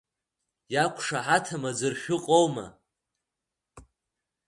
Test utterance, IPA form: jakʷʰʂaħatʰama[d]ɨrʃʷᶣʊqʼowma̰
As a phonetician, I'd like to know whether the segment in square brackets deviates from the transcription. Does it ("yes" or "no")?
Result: yes